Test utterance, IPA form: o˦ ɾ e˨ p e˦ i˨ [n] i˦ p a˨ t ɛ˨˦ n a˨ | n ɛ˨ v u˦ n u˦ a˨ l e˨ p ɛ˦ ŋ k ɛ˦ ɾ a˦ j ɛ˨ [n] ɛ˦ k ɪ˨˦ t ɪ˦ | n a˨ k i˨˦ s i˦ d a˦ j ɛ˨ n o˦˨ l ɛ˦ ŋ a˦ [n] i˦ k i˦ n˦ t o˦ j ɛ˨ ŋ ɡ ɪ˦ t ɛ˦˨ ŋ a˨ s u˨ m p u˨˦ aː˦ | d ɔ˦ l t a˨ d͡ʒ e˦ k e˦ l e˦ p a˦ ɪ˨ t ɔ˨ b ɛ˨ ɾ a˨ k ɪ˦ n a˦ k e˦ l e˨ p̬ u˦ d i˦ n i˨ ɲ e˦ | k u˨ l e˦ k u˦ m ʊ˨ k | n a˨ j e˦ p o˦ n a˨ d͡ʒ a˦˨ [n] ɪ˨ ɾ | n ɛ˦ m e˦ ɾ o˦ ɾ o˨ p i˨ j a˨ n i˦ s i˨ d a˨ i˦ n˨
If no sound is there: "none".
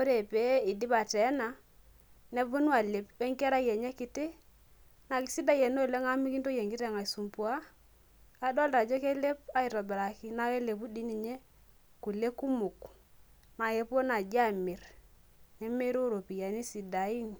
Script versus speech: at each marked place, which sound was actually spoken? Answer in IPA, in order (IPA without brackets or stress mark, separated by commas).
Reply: d, ɲ, m, m